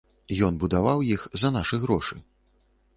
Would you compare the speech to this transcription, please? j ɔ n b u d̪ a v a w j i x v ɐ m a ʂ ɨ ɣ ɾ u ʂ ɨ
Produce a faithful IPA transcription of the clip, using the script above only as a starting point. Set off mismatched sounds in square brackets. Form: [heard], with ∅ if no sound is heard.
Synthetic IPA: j ɔ n b u d̪ a v a w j i x [z] ɐ [n] a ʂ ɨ ɣ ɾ [ɔ] ʂ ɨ

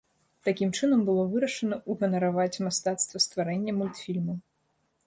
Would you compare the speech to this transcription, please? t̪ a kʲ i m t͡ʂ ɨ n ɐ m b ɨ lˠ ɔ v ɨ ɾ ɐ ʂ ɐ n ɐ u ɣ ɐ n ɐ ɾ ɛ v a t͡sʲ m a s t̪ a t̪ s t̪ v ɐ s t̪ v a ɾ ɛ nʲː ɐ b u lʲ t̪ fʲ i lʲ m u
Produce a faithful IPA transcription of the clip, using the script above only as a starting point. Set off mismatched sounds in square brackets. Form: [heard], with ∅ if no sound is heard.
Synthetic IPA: t̪ a kʲ i m t͡ʂ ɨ n ɐ m b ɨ lˠ ɔ v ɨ ɾ ɐ ʂ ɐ n ɐ u ɣ ɐ n ɐ ɾ [a] v a t͡sʲ m a s t̪ a t̪ s t̪ v ɐ s t̪ v a ɾ ɛ nʲː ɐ [m] u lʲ t̪ fʲ i lʲ m u

